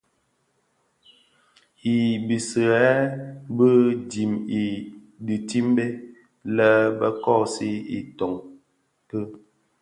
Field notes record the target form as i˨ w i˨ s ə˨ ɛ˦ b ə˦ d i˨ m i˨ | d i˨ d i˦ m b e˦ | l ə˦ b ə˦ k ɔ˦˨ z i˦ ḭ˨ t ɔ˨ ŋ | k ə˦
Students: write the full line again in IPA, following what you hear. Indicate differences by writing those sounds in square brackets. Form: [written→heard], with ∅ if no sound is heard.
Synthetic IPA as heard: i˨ [w→b] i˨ s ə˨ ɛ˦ b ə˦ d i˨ m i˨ | d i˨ [d→t] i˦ m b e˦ | l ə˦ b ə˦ k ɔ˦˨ [z→s] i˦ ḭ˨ t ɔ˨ ŋ | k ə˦